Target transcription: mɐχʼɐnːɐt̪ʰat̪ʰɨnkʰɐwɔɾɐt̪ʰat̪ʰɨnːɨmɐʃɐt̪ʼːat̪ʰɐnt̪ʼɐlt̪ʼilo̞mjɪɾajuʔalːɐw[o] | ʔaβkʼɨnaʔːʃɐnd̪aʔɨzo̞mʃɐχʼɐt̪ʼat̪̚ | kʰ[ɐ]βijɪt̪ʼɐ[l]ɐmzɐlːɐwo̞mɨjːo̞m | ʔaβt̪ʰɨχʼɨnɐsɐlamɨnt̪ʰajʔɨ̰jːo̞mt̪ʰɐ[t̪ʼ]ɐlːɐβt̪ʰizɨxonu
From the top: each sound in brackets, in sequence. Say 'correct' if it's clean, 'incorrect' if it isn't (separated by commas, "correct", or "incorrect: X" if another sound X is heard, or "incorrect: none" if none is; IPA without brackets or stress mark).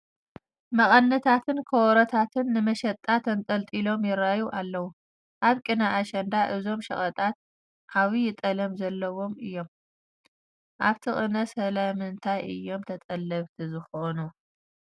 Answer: incorrect: u, incorrect: a, correct, correct